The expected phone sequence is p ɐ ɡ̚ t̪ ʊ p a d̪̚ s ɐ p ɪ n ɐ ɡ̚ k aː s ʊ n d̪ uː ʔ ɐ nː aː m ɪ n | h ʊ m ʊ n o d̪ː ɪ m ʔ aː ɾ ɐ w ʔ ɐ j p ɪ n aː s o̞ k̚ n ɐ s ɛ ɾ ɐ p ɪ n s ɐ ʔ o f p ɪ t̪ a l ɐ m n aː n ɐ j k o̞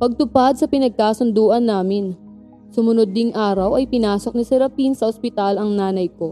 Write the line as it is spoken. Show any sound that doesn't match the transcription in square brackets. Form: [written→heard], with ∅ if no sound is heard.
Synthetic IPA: p ɐ ɡ̚ t̪ ʊ p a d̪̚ s ɐ p ɪ n ɐ ɡ̚ k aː s ʊ n d̪ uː ʔ ɐ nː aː m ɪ n | [h→s] ʊ m ʊ n o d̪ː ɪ [m→ŋ] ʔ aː ɾ ɐ w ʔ ɐ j p ɪ n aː s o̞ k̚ n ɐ s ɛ ɾ ɐ p [ɪ→i] n s ɐ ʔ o [f→s] p ɪ t̪ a l ɐ [m→ŋ] n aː n ɐ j k o̞